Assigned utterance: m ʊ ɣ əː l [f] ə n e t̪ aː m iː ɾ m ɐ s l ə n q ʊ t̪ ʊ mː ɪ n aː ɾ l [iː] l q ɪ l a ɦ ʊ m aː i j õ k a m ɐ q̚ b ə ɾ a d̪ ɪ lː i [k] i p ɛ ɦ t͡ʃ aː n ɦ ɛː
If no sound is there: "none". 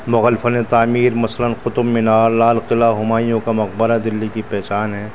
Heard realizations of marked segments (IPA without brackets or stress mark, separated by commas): f, aː, k